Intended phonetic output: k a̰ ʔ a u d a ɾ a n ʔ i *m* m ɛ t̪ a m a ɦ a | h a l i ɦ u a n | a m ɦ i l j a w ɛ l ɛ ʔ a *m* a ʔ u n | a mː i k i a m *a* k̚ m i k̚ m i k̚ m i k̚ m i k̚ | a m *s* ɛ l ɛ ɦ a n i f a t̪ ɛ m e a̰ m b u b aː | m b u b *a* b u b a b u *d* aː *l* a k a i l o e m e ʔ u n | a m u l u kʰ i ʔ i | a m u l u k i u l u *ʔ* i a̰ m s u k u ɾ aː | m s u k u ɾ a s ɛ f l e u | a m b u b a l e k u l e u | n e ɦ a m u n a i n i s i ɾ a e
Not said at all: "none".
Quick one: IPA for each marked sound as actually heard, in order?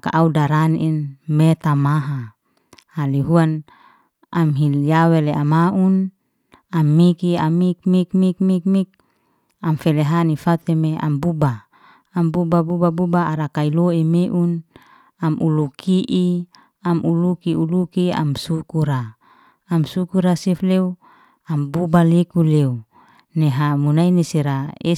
n, m, i, f, a, b, ɾ, k

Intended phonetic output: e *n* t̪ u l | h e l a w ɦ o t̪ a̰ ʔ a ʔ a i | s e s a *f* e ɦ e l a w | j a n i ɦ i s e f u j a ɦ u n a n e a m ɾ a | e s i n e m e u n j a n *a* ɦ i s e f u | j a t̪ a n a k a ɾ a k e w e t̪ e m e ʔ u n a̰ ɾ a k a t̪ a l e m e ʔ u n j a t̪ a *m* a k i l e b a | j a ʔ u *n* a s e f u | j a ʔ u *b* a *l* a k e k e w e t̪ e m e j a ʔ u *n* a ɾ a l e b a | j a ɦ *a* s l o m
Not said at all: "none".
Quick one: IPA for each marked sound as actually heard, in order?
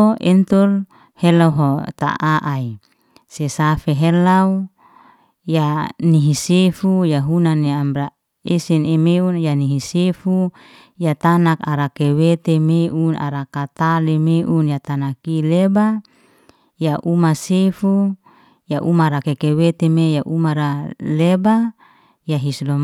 n, f, i, n, m, m, ɾ, m, i

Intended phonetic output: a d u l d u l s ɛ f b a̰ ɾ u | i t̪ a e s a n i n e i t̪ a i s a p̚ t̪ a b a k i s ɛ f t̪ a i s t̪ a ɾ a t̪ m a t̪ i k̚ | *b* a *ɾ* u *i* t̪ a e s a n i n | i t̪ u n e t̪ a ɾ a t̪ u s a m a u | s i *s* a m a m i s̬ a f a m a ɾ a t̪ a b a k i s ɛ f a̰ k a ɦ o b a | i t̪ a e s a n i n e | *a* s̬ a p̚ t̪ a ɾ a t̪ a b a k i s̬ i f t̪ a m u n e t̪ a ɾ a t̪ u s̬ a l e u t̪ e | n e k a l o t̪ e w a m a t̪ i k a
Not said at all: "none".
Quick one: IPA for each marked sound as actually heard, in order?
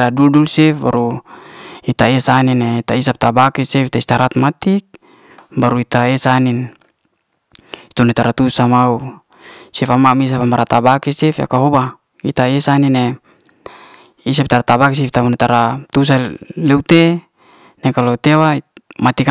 b, ɾ, i, f, i

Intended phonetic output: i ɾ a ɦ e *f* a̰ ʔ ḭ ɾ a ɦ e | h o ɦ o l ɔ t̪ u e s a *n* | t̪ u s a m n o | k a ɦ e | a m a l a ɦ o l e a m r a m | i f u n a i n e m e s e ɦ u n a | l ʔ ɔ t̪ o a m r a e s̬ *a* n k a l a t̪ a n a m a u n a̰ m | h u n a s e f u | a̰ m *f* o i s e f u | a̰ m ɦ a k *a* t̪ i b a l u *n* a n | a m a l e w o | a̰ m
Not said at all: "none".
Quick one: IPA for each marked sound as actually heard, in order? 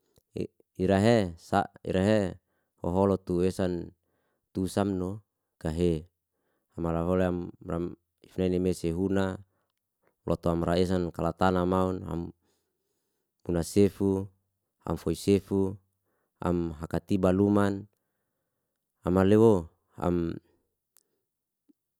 s, n, a, f, a, m

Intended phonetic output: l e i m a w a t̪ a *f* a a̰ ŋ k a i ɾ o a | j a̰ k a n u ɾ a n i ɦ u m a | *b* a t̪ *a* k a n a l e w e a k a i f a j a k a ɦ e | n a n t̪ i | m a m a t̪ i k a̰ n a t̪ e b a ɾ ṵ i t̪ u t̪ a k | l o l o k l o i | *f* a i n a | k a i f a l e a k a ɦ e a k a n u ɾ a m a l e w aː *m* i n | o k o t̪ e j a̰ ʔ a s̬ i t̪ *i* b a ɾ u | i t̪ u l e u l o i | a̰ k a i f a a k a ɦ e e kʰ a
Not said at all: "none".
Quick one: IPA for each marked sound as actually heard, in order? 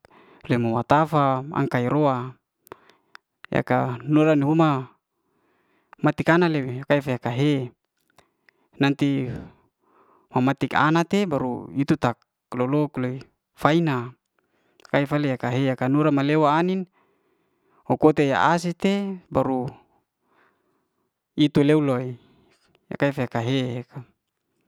f, m, i, f, n, e

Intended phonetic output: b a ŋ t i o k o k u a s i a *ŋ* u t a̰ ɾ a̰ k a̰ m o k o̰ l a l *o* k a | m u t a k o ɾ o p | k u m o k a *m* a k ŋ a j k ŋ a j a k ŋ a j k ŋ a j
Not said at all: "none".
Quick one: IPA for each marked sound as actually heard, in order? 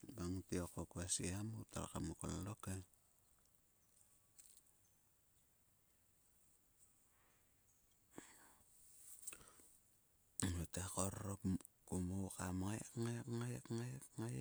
m, o, m

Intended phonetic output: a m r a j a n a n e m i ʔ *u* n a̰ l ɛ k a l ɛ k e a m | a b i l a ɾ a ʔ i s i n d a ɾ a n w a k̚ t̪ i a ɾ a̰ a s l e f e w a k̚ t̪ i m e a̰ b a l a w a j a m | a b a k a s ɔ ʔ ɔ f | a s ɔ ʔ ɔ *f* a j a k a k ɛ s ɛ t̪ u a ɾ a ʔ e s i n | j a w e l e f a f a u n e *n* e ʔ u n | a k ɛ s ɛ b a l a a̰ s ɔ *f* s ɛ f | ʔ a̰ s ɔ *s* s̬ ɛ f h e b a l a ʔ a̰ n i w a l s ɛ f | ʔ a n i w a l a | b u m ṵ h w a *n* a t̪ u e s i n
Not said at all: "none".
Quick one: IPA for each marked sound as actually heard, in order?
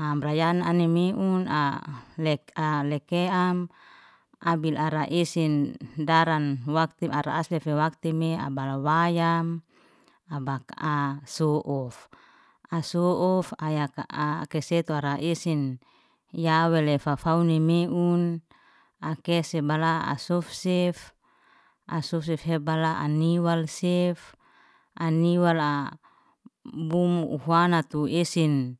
u, f, m, f, f, n

